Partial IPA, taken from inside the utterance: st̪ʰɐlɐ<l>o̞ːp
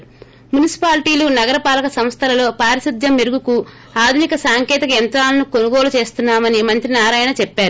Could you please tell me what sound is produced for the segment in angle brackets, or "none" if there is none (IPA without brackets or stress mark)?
l